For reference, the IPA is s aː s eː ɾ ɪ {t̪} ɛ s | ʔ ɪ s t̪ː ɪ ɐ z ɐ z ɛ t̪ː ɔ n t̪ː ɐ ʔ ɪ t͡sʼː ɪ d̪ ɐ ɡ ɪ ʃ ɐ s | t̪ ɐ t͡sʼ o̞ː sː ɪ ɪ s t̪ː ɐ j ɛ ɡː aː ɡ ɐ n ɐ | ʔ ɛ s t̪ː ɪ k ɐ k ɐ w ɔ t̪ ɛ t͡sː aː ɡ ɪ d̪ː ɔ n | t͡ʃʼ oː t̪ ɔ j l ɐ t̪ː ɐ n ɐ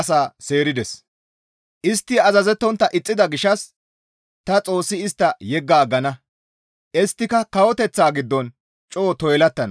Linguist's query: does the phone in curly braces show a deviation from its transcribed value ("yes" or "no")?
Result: yes